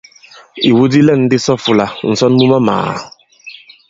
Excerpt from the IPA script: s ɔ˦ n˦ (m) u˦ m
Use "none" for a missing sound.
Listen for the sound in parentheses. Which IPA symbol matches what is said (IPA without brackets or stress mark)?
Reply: m